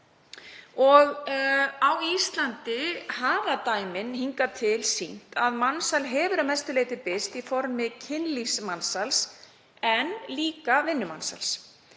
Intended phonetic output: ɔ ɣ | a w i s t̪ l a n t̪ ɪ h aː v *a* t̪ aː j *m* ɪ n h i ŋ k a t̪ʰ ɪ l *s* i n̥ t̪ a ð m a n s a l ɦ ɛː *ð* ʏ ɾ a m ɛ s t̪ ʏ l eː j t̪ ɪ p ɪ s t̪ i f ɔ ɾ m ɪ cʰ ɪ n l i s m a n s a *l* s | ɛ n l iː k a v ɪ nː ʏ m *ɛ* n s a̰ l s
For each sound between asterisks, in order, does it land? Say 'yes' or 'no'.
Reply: yes, yes, yes, no, yes, no

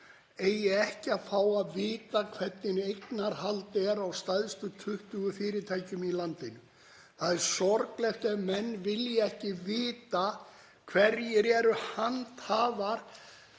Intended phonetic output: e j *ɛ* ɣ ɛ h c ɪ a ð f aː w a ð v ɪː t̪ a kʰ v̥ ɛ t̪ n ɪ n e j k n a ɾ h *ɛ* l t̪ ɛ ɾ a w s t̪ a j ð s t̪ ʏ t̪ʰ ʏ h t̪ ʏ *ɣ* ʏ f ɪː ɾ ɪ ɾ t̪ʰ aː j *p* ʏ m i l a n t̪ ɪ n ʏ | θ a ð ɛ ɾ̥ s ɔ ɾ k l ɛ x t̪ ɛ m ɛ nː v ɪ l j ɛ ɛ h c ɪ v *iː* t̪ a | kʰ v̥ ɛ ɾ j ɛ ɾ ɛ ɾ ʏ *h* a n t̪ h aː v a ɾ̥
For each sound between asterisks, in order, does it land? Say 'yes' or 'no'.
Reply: yes, no, yes, no, no, yes

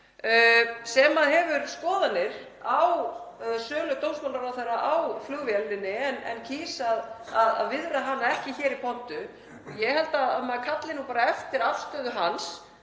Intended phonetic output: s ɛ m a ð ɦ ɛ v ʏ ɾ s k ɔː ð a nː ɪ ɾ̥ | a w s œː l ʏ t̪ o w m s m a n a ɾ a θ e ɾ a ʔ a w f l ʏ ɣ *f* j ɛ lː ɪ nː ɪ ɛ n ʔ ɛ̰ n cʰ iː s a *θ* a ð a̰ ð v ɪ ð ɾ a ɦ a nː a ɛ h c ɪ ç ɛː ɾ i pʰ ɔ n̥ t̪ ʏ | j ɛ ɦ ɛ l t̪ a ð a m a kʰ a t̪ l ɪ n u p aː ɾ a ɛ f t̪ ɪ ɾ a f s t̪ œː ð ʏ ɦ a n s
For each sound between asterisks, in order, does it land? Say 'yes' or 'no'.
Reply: no, no

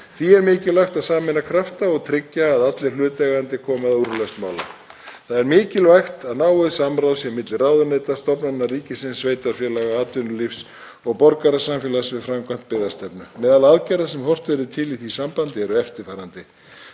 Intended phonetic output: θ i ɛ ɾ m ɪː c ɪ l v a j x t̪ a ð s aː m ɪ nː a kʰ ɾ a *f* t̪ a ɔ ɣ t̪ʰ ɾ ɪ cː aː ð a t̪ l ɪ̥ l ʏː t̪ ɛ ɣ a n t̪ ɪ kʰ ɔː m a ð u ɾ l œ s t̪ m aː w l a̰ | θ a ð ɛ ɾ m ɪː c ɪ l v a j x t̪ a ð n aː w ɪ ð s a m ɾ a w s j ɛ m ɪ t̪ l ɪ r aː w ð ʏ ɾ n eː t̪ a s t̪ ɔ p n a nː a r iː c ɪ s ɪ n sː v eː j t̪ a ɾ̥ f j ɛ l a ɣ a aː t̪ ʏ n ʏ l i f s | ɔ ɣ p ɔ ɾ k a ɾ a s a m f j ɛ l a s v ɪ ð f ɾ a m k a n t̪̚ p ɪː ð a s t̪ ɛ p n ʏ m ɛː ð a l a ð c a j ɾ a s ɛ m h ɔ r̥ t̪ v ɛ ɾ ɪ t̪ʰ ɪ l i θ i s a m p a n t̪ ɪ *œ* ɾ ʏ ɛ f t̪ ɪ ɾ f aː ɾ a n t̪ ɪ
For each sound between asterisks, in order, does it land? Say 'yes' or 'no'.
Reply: yes, no

